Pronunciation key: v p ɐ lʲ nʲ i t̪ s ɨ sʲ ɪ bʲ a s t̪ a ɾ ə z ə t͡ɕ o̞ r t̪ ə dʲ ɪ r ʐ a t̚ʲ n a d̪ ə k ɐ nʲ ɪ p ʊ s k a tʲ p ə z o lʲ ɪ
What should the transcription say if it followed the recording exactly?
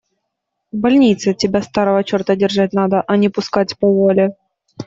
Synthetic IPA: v b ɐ lʲ nʲ i t̪ s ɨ tʲ ɪ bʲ a s t̪ a ɾ ə v ə t͡ɕ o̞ r t̪ ə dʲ ɪ r ʐ a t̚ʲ n a d̪ ə ʔ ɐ nʲ ɪ p ʊ s k a tʲ p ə v o lʲ ɪ

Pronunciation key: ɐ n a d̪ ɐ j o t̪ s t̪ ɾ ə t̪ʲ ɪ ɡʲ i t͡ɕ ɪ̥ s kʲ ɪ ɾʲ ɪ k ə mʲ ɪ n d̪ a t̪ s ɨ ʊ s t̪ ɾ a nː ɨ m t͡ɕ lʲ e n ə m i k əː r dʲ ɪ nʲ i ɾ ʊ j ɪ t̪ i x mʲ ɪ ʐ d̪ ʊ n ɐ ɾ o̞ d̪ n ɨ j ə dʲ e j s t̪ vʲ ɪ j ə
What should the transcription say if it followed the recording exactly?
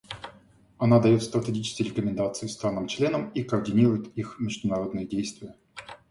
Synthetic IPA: ɐ n a d̪ ɐ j o t̪ s t̪ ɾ ə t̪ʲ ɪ ɡʲ i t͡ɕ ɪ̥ s kʲ ɪ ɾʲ ɪ k ə mʲ ɪ n d̪ a t̪ s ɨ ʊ s t̪ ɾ a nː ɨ m t͡ɕ lʲ e n ə m i k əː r dʲ ɪ nʲ i ɾ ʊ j ɪ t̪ i x mʲ ɪ ʐ d̪ ʊ n ɐ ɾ o̞ d̪ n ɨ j ə dʲ e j s t̪ vʲ ɪ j ə

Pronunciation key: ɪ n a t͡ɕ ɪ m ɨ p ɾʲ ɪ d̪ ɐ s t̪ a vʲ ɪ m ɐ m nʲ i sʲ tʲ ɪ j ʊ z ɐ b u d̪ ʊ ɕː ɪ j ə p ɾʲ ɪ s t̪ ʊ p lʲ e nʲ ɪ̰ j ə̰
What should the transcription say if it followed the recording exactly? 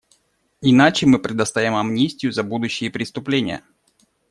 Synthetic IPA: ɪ n a t͡ɕ ɪ m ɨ p ɾʲ ɪ d̪ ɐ s t̪ a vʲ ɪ m ɐ m nʲ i sʲ tʲ ɪ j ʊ z ɐ b u d̪ ʊ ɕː ɪ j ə p ɾʲ ɪ s t̪ ʊ p lʲ e nʲ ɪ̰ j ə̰

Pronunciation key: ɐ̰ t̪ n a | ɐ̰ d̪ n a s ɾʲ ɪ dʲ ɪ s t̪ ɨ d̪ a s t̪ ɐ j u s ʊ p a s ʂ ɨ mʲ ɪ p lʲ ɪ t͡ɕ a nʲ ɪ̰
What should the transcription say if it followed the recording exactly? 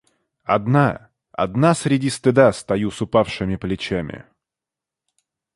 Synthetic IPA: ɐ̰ d̪ n a | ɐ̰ d̪ n a s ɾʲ ɪ dʲ i s t̪ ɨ d̪ a s t̪ ɐ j u s ʊ p a f ʂ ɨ mʲ ɪ p lʲ ɪ t͡ɕ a mʲ ɪ̰

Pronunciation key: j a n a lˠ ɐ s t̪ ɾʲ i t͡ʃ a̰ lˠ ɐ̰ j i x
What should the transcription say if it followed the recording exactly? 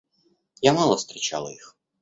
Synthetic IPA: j a m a lˠ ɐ s t̪ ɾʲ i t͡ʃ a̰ lˠ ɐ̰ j i x

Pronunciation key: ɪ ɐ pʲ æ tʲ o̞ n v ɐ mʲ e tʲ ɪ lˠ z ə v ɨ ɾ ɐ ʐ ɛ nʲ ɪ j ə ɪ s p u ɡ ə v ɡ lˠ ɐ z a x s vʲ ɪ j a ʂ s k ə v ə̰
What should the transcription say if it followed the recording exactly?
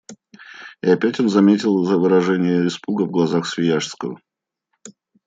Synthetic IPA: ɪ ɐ pʲ æ tʲ o̞ n z ɐ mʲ e tʲ ɪ lˠ z ə v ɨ ɾ ɐ ʐ ɛ nʲ ɪ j ə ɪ s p u ɡ ə v ɡ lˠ ɐ z a x s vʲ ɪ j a ʂ s k ə v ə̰

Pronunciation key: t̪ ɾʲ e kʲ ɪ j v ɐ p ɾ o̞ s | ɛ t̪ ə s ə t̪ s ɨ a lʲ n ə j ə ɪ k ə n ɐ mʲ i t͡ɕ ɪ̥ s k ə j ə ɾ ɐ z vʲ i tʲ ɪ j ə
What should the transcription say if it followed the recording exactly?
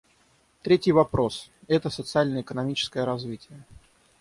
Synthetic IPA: t̪ ɾʲ e tʲ ɪ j v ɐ p ɾ o̞ s | ɛ t̪ ə s ə t̪ s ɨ a lʲ n ə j ə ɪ k ə n ɐ mʲ i t͡ɕ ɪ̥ s k ə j ə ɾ ɐ z vʲ i tʲ ɪ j ə

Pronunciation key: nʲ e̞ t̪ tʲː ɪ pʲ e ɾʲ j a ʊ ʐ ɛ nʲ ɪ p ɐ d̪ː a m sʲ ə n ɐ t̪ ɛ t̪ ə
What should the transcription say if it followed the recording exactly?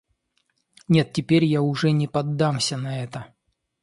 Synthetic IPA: nʲ e̞ t̪ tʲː ɪ pʲ e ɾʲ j a ʊ ʐ ɛ nʲ ɪ p ɐ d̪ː a m sʲ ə n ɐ ɛ t̪ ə

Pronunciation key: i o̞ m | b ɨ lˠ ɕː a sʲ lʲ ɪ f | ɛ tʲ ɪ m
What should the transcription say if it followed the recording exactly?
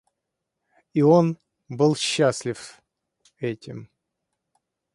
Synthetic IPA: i o̞ n | b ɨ lˠ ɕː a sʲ lʲ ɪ f | ɛ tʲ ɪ m

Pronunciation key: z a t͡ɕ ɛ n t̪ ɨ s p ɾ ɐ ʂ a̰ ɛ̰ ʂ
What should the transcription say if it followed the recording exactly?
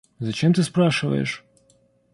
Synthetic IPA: z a t͡ɕ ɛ m t̪ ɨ s p ɾ a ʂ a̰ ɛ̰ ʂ

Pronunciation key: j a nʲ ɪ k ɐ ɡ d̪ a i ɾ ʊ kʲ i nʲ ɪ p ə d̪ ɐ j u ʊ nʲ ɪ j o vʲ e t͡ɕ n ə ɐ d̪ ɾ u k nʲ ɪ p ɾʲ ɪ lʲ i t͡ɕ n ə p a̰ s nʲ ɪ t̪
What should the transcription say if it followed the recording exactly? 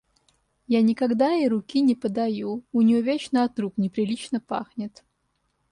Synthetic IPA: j a nʲ ɪ k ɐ ɡ d̪ a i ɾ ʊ kʲ i nʲ ɪ p ə d̪ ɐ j u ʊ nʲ ɪ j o vʲ e t͡ɕ n ə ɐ t̪ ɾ u k nʲ ɪ p ɾʲ ɪ lʲ i t͡ɕ n ə p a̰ x nʲ ɪ t̪

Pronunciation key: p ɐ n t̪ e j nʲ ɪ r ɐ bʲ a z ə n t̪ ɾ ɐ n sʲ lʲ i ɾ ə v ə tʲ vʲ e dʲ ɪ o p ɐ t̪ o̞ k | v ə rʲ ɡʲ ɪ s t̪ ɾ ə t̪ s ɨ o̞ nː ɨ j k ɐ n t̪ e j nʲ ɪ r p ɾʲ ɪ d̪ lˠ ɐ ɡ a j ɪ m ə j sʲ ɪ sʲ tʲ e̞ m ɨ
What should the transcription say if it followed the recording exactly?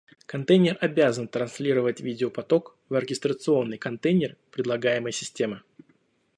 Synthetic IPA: k ɐ n t̪ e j nʲ ɪ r ɐ bʲ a z ə n t̪ ɾ ɐ n sʲ lʲ i ɾ ə v ə tʲ vʲ i dʲ ɪ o p ɐ t̪ o̞ k | v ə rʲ ɡʲ ɪ s t̪ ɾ ə t̪ s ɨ o̞ nː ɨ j k ɐ n t̪ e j nʲ ɪ r p ɾʲ ɪ d̪ lˠ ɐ ɡ a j ɪ m ə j sʲ ɪ sʲ tʲ e̞ m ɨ

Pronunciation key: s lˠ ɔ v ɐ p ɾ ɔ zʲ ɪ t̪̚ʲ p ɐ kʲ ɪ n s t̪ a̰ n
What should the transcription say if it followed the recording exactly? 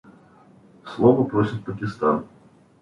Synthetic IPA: s lˠ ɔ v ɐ p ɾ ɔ sʲ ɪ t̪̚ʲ p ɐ kʲ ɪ s t̪ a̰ n

